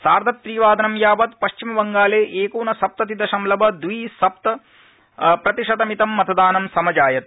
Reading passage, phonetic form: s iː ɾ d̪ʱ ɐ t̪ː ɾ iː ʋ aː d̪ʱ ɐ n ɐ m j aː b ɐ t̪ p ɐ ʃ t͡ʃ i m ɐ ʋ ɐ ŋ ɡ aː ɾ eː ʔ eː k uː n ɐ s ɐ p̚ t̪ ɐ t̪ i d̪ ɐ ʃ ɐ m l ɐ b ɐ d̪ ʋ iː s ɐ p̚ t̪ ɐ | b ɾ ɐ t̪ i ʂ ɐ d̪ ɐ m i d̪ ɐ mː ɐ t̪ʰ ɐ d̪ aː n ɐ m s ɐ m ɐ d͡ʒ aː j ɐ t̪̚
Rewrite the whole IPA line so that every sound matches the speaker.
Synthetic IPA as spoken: s aː ɾ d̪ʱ ɐ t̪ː ɾ iː ʋ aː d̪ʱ ɐ n ɐ m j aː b ɐ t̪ p ɐ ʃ t͡ʃ i m ɐ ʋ ɐ ŋ ɡ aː l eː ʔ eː k uː n ɐ s ɐ p̚ t̪ ɐ t̪ i d̪ ɐ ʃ ɐ m l ɐ b ɐ d̪ ʋ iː s ɐ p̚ t̪ ɐ | p ɾ ɐ t̪ i ʂ ɐ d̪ ɐ m i t̪ ɐ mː ɐ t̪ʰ ɐ d̪ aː n ɐ m s ɐ m ɐ d͡ʒ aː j ɐ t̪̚